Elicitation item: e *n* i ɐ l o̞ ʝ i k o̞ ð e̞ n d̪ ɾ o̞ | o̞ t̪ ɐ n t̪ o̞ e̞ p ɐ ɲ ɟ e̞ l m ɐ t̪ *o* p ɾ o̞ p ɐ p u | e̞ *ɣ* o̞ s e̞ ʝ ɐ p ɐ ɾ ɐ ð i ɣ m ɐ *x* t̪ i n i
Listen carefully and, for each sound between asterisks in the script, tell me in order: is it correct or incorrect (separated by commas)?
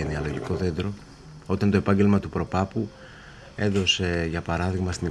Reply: correct, incorrect, incorrect, incorrect